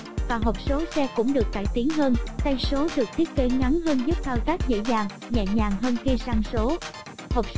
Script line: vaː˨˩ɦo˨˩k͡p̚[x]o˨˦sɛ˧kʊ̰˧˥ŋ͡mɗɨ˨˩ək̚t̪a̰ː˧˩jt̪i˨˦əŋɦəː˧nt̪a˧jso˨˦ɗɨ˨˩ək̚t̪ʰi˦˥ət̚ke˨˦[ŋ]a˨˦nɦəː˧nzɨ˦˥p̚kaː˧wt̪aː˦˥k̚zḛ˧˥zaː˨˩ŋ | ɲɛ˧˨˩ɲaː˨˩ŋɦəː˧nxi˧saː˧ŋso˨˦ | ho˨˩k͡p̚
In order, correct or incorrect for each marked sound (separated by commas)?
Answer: incorrect, correct